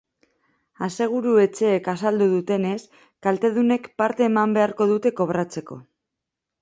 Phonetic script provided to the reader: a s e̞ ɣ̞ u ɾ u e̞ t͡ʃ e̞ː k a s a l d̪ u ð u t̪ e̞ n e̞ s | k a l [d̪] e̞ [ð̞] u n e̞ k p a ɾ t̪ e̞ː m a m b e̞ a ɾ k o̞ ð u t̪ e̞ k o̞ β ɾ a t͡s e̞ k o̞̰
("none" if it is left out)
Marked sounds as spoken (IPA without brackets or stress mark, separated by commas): t̪, ð̞